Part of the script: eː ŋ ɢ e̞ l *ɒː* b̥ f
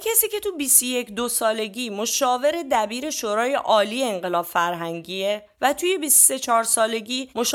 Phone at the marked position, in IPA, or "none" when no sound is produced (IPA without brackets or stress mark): ɒː